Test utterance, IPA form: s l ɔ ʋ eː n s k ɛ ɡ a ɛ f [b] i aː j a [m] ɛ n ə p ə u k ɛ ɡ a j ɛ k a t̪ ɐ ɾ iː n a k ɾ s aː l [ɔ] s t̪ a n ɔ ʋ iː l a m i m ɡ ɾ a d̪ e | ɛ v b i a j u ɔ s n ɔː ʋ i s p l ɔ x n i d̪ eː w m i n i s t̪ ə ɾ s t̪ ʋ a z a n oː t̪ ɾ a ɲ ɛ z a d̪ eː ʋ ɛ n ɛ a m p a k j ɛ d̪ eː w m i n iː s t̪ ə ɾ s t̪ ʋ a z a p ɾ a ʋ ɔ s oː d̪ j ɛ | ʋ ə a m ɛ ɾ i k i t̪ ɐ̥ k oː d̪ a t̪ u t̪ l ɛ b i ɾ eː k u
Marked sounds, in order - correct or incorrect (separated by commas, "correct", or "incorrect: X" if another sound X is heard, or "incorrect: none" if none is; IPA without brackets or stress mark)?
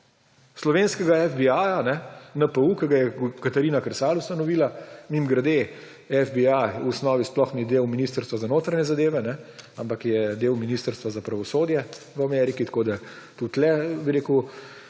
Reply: correct, incorrect: n, incorrect: u